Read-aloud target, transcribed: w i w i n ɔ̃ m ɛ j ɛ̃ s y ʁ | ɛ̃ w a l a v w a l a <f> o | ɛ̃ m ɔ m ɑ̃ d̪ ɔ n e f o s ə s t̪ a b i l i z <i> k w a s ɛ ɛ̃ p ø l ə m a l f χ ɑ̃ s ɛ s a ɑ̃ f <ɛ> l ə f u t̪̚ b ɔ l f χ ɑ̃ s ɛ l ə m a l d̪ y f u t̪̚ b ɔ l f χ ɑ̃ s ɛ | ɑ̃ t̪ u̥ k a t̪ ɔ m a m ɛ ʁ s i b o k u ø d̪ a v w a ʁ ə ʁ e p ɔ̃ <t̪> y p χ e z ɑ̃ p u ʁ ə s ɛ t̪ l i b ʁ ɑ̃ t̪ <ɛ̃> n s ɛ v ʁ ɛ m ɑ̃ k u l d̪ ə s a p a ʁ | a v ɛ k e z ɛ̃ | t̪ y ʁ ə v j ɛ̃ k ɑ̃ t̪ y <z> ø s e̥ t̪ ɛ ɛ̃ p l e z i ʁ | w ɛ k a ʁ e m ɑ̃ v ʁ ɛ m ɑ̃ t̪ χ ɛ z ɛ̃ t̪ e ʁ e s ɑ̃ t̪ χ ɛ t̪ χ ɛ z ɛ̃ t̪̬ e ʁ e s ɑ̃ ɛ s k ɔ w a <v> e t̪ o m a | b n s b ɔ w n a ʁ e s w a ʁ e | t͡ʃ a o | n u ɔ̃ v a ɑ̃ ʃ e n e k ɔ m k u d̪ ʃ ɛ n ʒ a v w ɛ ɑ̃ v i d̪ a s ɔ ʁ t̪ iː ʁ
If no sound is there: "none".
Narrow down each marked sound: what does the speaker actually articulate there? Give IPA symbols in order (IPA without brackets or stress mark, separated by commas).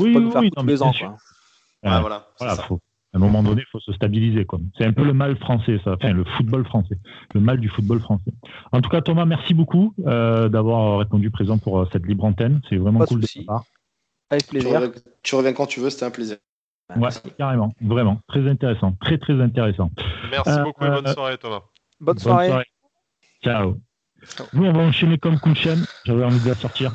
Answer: f, e, ɛ̃, d̪, ɛ, v, ʁ